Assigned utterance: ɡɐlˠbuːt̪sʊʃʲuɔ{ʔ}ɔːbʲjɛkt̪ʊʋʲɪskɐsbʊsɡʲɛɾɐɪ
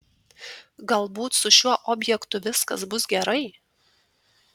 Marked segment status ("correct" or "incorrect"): correct